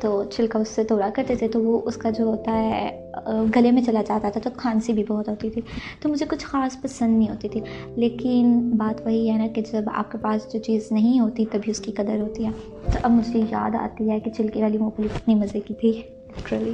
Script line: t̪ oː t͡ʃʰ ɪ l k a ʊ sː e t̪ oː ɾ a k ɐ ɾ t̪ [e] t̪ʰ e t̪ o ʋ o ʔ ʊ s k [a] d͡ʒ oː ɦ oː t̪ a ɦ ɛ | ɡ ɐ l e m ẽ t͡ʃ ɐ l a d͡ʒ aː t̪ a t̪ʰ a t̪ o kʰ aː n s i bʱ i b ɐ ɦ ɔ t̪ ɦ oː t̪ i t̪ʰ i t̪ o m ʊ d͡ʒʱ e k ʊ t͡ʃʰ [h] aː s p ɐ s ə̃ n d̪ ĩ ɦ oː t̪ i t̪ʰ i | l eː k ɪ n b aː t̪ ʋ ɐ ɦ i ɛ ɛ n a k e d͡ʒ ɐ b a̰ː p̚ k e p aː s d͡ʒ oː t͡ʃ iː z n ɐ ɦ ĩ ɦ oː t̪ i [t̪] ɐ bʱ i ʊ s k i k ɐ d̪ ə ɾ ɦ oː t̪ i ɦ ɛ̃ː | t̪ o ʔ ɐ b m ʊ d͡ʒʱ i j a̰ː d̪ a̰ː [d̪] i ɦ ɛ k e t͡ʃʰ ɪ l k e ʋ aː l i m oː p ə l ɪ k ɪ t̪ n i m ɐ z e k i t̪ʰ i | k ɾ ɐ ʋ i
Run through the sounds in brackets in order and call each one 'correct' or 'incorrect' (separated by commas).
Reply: correct, correct, incorrect, correct, incorrect